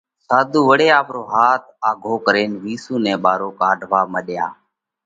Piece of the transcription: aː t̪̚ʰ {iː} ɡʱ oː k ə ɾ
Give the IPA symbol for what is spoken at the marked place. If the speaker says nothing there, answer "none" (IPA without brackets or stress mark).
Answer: aː